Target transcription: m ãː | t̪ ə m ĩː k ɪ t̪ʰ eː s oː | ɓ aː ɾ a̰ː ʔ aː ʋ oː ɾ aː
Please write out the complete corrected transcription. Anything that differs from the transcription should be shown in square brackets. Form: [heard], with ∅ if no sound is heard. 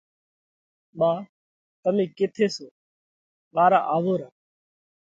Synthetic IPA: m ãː | t̪ ə m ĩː k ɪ t̪ʰ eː s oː | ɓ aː ɾ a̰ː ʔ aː ʋ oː ɾ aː